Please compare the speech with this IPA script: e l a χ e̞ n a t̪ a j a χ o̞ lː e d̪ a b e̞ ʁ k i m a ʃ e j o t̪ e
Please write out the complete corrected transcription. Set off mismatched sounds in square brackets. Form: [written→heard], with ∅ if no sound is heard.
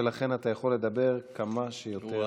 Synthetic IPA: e l a χ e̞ n a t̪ a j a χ o̞ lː e d̪ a b e̞ ʁ k [i→a] m a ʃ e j o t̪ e